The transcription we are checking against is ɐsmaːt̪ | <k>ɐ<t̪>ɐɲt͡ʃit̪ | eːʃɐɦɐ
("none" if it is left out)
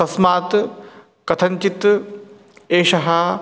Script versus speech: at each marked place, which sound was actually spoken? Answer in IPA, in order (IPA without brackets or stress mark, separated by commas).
k, t̪ʰ